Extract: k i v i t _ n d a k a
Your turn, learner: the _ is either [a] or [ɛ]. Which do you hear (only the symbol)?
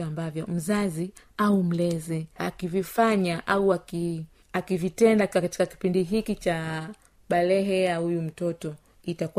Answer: ɛ